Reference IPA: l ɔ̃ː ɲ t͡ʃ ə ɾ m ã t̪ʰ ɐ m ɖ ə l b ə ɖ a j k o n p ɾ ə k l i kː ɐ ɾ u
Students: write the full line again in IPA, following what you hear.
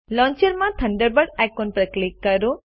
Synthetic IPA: l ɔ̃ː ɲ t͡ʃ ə ɾ m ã t̪ʰ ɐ ɳ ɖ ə ɾ b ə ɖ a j k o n p ɾ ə k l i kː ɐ ɾ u